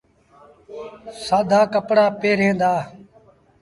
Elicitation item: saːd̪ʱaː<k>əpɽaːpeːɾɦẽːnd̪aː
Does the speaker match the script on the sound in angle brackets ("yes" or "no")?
yes